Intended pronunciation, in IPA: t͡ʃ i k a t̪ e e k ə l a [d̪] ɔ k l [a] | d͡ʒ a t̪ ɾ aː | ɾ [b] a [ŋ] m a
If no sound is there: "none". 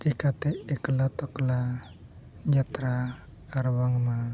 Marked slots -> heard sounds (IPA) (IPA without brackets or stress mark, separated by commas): t̪, a, w, ŋ